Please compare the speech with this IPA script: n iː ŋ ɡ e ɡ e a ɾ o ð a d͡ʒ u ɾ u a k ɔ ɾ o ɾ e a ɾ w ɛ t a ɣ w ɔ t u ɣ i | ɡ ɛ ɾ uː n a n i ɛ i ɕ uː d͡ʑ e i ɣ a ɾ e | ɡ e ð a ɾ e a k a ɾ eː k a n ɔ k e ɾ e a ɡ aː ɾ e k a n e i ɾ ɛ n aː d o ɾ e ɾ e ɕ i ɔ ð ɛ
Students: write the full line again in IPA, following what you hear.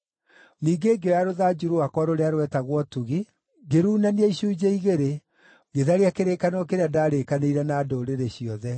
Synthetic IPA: n iː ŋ ɡ e ɡ e a ɾ o ð a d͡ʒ u ɾ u a k ɔ ɾ o ɾ e a ɾ w ɛ t a ɣ w ɔ t u ɣ i | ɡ e ɾ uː n a n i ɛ i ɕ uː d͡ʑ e i ɣ e ɾ e | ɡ e ð a ɾ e a k e ɾ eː k a n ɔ k e ɾ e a d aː ɾ e k a n e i ɾ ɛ n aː d o ɾ e ɾ e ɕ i ɔ ð ɛ